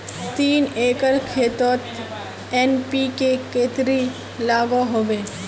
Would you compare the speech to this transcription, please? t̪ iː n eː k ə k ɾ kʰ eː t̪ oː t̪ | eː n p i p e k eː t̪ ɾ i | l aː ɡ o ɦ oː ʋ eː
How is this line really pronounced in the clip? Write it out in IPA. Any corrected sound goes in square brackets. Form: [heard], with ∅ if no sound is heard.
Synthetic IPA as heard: t̪ iː n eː k ə [∅] ɾ kʰ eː t̪ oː t̪ | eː n p i [k] e k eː t̪ ɾ i | l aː ɡ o ɦ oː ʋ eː